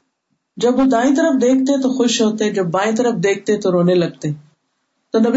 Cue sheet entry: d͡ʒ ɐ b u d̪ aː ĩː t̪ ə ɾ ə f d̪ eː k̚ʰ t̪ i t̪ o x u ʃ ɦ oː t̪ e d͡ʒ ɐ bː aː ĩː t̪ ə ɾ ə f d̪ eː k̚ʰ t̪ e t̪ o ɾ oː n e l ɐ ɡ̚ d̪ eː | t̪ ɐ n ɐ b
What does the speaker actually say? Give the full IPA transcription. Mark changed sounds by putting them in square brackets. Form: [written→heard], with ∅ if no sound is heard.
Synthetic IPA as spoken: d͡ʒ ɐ b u d̪ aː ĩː t̪ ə ɾ ə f d̪ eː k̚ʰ t̪ [i→e] t̪ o x [u→ʊ] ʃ ɦ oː t̪ e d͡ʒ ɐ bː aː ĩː t̪ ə ɾ ə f d̪ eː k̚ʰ t̪ e t̪ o ɾ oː n e l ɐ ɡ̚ [d̪→t̪] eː | t̪ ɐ n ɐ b